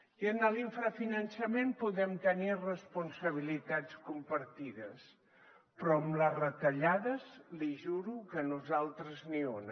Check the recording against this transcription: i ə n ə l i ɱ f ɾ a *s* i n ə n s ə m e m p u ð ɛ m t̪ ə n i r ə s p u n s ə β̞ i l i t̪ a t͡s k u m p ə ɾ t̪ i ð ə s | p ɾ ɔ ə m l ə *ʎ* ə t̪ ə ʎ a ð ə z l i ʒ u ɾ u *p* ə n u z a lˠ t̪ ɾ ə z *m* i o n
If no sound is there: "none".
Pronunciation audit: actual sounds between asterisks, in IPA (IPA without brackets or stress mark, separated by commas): f, r, k, n